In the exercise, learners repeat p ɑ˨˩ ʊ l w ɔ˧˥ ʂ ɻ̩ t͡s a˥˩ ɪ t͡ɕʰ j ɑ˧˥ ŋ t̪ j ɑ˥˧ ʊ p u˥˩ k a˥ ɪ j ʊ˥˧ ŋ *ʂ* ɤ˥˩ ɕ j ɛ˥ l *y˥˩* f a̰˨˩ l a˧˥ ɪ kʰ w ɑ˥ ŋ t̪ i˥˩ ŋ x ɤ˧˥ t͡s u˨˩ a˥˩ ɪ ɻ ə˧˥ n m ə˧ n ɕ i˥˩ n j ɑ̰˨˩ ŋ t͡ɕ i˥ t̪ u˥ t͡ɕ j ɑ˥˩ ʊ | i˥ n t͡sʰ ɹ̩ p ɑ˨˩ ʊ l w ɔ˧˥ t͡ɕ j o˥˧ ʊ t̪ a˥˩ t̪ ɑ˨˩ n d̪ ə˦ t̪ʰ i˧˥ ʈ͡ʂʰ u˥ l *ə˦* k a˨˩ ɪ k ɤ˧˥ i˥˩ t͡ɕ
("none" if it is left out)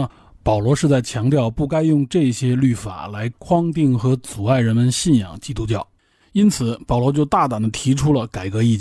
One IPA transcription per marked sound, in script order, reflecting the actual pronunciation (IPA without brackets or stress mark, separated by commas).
ʈ͡ʂ, y˥˩, ə˨